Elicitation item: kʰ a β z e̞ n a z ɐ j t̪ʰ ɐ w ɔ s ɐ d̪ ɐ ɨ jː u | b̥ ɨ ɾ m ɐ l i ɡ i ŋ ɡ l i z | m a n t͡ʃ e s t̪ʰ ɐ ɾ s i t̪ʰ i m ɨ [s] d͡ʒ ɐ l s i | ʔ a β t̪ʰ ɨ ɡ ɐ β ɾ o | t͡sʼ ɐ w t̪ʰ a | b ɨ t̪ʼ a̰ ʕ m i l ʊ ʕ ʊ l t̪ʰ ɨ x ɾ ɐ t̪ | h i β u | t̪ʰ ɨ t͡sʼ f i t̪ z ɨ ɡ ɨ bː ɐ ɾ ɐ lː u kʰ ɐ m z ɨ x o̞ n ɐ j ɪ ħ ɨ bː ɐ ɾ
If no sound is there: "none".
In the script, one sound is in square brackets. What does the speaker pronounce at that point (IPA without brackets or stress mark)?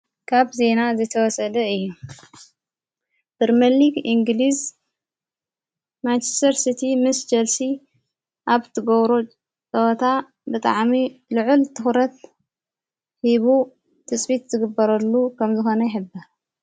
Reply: s